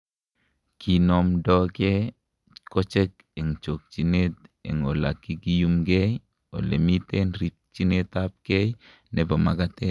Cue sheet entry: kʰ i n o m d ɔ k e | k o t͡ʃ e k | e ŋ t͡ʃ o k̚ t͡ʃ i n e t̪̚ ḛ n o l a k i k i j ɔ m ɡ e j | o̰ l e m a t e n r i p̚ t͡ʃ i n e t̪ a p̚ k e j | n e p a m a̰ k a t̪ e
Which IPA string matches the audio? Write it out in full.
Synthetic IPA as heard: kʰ i n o m d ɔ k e | k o t͡ʃ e k | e ŋ t͡ʃ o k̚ t͡ʃ i n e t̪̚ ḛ ŋ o l a k i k i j u m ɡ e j | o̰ l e m i t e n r i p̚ t͡ʃ i n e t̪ a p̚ k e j | n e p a m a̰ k a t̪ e